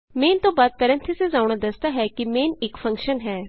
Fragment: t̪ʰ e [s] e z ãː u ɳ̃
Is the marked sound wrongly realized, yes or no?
no